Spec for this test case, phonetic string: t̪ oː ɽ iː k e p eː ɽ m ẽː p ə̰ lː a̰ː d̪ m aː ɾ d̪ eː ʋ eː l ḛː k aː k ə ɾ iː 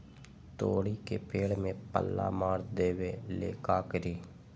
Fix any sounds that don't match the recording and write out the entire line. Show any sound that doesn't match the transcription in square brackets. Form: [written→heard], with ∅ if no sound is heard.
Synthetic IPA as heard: t̪ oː ɽ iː k e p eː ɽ m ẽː p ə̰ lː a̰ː [d̪→∅] m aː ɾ d̪ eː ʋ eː l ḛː k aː k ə ɾ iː